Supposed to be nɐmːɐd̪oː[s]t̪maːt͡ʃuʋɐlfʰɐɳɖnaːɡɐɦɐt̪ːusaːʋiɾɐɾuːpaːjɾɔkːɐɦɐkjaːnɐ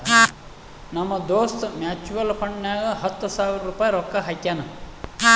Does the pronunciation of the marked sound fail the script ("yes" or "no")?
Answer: no